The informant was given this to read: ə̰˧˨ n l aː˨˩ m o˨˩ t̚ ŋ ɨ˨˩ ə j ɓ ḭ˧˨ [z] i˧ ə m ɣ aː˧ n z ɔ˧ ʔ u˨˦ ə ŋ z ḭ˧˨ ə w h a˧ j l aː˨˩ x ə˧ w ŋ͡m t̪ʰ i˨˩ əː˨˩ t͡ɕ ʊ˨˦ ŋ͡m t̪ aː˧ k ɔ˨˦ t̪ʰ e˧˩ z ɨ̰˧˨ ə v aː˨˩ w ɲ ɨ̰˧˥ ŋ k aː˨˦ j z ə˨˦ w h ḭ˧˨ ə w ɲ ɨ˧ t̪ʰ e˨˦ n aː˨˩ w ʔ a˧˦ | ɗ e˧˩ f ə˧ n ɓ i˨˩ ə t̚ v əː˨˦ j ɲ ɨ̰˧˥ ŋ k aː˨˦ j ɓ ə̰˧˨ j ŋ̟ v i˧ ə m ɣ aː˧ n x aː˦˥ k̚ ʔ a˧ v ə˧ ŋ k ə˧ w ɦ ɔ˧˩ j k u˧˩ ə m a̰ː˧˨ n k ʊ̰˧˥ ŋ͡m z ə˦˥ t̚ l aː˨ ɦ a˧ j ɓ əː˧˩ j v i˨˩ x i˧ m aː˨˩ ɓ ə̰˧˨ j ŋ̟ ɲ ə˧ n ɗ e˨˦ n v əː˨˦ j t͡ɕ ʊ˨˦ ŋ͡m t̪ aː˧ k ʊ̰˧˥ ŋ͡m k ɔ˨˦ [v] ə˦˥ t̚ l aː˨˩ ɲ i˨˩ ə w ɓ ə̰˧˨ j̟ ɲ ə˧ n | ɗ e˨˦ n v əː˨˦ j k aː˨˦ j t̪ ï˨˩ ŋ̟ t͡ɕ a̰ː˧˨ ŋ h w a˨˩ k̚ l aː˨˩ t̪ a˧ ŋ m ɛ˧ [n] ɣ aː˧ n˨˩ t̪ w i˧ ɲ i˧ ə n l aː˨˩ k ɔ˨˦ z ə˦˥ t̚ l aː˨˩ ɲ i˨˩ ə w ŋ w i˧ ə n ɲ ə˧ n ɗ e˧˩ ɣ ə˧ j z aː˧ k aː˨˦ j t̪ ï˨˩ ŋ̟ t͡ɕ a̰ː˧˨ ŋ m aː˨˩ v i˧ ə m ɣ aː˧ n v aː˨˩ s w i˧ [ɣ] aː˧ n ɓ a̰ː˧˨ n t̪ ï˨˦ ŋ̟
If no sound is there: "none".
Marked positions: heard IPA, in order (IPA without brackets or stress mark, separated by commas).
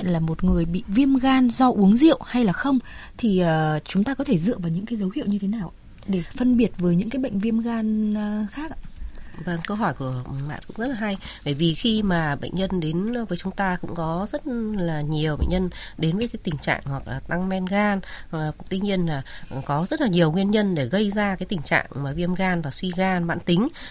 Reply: v, z, n, ɣ